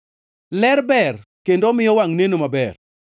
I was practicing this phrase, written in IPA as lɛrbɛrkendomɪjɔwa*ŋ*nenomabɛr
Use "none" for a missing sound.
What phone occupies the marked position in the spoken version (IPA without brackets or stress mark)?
ŋ